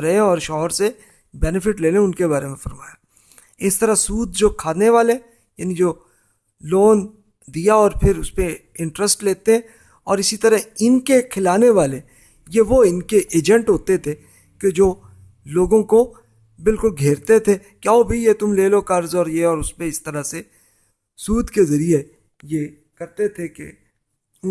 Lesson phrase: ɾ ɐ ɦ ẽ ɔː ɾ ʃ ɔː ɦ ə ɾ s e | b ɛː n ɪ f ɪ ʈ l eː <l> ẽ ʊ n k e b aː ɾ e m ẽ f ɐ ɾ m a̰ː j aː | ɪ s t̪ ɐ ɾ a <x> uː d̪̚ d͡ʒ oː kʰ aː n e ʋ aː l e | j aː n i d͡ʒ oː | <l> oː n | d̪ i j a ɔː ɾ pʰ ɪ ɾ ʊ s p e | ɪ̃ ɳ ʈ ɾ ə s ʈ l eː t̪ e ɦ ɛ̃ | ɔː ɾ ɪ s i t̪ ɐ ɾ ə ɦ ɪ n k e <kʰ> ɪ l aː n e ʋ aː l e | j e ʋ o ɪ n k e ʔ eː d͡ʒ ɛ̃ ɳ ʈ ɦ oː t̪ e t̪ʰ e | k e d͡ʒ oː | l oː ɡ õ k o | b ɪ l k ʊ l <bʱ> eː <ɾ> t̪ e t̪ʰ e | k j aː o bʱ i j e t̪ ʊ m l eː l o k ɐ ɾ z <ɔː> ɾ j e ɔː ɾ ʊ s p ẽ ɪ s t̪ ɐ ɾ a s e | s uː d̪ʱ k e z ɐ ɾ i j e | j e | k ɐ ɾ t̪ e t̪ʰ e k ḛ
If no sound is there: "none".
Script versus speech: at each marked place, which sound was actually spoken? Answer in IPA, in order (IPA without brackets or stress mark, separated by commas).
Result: l, s, l, kʰ, ɡʱ, ɾ, ɔː